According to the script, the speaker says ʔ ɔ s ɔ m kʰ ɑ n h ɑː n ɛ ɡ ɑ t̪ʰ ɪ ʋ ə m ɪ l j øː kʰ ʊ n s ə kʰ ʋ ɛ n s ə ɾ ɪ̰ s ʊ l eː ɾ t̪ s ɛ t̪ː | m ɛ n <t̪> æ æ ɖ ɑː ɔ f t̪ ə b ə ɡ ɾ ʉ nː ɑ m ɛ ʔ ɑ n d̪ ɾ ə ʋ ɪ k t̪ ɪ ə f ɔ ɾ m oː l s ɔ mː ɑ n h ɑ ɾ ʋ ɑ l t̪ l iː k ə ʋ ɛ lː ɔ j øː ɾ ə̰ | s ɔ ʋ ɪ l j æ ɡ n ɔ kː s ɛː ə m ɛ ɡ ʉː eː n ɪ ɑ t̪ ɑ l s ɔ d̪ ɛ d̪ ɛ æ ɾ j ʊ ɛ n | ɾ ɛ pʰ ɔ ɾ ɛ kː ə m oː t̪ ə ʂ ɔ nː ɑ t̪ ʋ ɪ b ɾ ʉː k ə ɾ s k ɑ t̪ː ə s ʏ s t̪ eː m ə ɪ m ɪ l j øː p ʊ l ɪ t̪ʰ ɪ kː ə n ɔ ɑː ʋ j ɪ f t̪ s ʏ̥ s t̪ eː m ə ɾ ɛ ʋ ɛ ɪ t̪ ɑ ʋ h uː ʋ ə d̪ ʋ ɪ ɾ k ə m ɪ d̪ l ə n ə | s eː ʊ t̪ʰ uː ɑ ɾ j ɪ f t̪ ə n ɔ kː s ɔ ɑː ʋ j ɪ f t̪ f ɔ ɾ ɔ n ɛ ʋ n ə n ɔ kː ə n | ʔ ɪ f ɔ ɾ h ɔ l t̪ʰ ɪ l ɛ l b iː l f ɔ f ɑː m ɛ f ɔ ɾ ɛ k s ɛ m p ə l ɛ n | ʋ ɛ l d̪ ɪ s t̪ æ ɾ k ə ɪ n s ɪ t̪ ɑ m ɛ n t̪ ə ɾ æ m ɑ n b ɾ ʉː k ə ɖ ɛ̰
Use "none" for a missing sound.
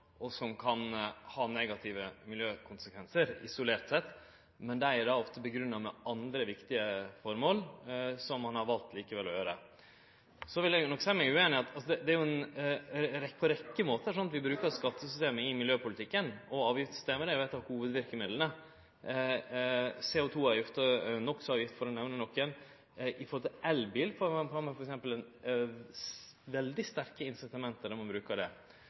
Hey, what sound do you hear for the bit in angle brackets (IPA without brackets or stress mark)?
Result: d̪